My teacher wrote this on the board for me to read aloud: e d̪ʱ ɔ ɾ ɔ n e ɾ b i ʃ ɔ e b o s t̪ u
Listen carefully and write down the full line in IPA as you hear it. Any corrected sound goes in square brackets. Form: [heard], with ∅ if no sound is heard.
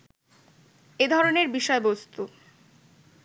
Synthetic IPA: e d̪ʱ ɔ ɾ [o] n e ɾ b i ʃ ɔ e b o s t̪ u